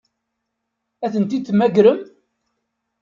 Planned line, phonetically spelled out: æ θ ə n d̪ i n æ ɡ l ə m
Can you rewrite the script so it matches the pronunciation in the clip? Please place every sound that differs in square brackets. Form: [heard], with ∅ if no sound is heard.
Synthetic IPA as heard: æ θ ə n [t̪] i [m] æ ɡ [ɾ] ə m